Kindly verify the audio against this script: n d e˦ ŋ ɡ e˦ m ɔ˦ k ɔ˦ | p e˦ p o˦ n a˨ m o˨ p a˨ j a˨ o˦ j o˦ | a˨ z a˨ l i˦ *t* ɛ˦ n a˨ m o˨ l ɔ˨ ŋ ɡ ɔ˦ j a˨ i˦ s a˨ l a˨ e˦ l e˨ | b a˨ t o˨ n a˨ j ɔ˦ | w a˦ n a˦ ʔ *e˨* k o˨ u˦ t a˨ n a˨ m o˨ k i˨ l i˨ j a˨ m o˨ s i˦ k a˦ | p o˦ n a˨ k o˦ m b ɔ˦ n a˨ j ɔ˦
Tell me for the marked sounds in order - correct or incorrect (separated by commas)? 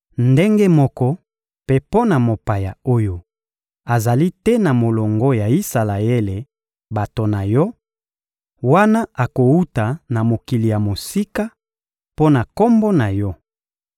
correct, incorrect